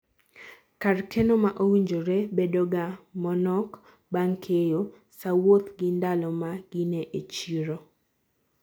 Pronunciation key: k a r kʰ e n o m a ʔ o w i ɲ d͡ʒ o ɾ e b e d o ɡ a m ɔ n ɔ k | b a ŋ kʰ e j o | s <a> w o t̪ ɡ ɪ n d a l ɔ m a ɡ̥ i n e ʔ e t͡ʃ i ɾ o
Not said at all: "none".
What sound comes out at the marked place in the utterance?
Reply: a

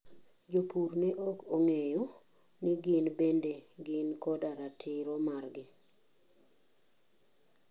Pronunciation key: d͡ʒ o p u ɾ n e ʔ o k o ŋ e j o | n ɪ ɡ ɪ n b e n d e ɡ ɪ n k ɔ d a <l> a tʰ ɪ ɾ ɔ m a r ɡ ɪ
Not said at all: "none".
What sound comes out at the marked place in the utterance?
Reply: ɾ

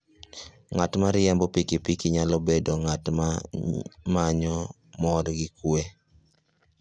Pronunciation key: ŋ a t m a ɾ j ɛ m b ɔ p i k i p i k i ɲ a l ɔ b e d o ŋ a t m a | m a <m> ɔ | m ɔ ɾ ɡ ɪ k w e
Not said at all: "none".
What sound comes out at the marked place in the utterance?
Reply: ɲ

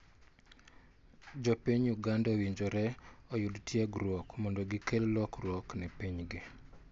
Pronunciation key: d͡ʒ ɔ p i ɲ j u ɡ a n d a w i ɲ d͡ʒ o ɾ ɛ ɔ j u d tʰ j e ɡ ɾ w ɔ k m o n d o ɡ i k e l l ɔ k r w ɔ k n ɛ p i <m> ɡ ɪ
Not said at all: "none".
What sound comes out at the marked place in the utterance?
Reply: ɲ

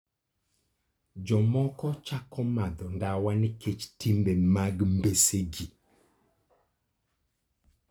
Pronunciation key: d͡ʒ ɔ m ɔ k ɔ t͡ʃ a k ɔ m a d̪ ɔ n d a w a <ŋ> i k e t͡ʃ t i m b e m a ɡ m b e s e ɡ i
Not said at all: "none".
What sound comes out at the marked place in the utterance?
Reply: n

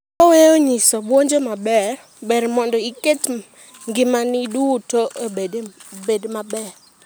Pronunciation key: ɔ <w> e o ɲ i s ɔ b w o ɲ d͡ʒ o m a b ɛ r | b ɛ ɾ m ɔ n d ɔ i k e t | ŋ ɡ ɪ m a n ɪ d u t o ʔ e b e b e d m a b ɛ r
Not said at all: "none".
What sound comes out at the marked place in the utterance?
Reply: w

